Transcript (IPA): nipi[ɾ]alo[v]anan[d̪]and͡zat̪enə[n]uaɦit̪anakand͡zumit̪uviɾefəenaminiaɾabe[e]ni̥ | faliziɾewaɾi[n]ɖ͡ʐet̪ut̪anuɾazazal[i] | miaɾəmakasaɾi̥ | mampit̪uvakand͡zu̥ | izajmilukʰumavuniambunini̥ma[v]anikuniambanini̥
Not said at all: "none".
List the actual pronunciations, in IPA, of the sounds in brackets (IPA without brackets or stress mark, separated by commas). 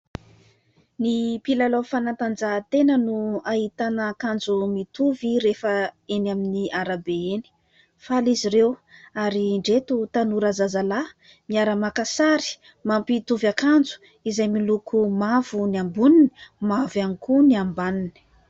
l, f, t̪, n, e, ɳ, a, v